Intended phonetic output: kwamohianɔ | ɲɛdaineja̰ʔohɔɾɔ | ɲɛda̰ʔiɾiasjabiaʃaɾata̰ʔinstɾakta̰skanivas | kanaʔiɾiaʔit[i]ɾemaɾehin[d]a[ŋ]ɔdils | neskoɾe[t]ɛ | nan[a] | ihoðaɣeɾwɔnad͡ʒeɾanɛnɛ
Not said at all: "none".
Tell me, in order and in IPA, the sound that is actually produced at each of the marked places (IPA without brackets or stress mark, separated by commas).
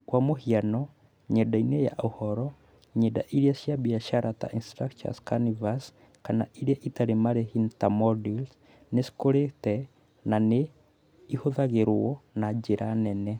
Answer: a, t, m, t, e